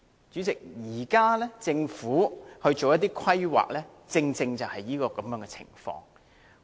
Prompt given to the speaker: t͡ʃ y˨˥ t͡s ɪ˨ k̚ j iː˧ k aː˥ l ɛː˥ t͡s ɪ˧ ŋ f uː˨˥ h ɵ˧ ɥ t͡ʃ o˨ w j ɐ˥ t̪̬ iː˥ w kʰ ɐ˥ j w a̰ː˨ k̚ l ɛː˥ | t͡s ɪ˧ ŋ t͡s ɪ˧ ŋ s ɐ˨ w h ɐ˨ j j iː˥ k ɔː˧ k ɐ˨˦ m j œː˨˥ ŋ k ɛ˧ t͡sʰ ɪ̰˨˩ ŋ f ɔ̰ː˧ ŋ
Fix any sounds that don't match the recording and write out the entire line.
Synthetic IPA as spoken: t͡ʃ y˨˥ t͡s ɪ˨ k̚ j iː˨˩ k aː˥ l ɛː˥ t͡s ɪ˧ ŋ f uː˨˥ h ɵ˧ ɥ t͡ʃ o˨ w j ɐ˥ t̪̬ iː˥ kʰ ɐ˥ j w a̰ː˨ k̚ l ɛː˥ | t͡s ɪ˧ ŋ t͡s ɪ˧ ŋ t͡s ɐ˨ w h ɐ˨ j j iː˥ k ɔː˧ k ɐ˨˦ m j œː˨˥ ŋ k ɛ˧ t͡sʰ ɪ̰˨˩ ŋ f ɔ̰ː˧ ŋ